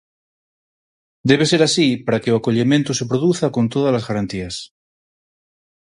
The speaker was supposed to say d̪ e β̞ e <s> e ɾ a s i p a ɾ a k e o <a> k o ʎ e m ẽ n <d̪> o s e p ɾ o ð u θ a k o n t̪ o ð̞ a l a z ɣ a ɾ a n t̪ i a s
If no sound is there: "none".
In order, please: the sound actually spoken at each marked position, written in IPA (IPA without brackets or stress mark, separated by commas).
s, a, t̪